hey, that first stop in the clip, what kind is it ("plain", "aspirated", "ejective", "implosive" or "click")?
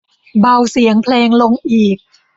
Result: plain